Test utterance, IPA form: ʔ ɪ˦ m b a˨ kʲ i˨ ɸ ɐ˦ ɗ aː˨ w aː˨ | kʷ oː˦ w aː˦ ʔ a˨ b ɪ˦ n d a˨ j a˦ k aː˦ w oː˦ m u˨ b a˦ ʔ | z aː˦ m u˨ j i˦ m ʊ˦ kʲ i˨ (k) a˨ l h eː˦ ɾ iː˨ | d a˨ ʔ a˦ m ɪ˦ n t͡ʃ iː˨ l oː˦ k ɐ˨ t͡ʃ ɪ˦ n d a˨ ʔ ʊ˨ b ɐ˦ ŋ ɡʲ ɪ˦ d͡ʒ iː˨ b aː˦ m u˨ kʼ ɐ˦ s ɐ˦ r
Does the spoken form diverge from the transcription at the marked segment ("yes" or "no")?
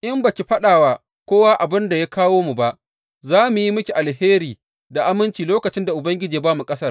yes